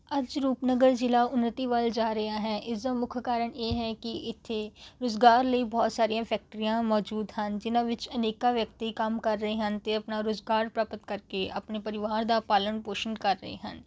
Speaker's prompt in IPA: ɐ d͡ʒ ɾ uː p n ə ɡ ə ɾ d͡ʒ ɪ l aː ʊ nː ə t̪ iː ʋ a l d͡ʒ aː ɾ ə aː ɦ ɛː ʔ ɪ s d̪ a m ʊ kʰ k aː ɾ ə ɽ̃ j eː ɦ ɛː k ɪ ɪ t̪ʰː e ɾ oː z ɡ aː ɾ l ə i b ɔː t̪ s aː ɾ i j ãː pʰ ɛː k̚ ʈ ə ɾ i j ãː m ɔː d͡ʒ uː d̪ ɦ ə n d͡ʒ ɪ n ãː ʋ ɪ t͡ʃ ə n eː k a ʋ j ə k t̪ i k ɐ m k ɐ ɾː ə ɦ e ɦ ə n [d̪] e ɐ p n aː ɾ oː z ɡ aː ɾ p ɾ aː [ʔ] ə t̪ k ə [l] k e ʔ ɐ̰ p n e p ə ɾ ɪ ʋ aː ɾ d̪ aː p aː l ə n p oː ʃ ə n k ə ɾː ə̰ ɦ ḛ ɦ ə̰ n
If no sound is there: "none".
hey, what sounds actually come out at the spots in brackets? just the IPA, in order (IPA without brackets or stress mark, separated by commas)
t̪, p, ɾ